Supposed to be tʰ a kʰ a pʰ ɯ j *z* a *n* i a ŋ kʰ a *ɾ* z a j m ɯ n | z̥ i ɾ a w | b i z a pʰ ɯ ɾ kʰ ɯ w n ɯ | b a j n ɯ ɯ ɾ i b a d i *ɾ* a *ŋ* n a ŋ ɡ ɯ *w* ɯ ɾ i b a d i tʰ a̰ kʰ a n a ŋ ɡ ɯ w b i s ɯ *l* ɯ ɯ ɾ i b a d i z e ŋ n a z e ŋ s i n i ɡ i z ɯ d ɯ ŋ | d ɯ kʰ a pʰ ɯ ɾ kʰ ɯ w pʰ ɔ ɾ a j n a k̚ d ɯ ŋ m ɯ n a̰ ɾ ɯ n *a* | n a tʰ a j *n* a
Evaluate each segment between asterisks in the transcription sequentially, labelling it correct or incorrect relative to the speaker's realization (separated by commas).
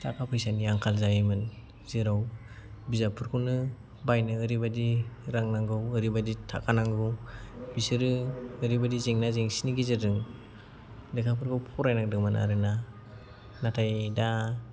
incorrect, correct, incorrect, correct, correct, correct, incorrect, correct, incorrect